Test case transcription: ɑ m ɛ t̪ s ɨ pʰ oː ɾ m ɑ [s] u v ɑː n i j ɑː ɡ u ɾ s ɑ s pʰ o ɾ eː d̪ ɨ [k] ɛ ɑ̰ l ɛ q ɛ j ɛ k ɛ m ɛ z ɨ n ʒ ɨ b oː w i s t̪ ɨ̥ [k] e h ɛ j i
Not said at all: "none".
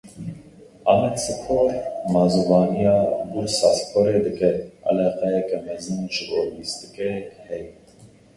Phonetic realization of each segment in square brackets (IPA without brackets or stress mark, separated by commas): z, k, k